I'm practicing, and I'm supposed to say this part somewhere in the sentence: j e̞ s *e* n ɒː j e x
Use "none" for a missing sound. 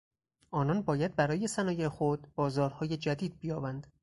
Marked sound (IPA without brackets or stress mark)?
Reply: æ